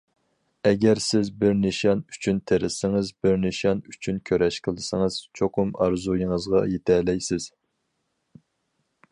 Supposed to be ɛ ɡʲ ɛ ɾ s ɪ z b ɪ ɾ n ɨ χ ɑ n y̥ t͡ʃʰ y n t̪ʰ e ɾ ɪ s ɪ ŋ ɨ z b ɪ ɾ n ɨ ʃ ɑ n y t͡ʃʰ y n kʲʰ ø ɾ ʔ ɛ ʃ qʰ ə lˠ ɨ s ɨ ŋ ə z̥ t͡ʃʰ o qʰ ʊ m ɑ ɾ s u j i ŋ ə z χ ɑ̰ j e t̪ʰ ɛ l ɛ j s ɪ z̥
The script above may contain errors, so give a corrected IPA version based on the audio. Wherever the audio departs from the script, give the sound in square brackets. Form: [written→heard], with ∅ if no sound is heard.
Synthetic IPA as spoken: ɛ ɡʲ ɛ ɾ s ɪ z b ɪ ɾ n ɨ [χ→ʃ] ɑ n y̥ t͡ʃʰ y n t̪ʰ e ɾ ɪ s ɪ ŋ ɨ z b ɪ ɾ n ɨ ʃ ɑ n y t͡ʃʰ y n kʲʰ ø ɾ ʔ ɛ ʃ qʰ ə lˠ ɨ s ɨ ŋ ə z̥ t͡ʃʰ o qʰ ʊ m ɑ ɾ [s→z] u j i ŋ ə z [χ→ʁ] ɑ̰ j e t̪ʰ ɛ l ɛ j s ɪ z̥